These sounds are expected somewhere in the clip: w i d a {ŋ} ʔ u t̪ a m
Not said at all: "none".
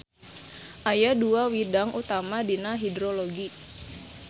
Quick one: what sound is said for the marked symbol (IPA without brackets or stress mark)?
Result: ŋ